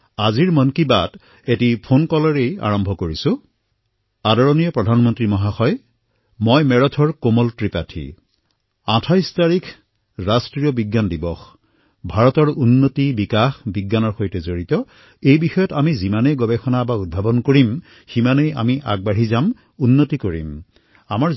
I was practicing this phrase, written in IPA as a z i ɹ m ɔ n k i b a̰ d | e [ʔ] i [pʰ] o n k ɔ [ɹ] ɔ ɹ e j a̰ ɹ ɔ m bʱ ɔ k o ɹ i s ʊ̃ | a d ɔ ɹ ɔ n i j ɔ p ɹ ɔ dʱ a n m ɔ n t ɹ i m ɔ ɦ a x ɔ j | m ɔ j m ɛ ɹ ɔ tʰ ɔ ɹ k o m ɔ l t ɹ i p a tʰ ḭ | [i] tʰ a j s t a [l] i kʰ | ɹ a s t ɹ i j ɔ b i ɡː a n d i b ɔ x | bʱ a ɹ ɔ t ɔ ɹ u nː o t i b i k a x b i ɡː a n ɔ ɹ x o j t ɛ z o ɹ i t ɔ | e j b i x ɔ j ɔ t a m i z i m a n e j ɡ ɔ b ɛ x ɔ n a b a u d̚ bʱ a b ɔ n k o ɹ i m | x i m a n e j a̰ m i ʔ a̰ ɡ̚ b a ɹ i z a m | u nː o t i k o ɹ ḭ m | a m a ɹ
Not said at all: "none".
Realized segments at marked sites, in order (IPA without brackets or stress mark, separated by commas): t, pʰ, l, a, ɹ